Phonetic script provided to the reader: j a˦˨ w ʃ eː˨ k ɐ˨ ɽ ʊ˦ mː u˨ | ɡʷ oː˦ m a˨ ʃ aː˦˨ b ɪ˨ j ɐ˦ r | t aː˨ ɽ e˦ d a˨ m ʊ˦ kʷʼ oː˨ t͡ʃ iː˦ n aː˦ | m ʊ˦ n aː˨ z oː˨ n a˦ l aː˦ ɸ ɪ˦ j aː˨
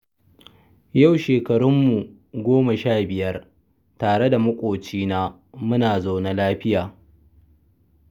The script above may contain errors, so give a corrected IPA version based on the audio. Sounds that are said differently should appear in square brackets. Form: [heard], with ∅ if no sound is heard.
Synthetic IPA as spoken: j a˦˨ w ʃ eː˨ k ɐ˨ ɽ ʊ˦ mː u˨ | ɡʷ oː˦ m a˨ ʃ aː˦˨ b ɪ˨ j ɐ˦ r | t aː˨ ɽ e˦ d a˨ m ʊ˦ kʷʼ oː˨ t͡ʃ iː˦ n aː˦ | m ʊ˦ n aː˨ z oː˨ n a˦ l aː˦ ɸ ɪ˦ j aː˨